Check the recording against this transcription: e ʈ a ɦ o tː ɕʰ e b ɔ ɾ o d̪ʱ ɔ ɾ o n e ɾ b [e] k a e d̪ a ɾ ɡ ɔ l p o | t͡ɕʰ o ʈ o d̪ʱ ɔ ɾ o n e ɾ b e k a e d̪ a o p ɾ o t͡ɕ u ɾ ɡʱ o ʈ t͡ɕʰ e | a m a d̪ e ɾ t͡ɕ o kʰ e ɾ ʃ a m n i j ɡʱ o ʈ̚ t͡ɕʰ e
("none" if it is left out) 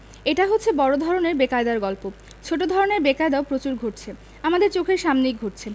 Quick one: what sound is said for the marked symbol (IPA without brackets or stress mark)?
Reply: e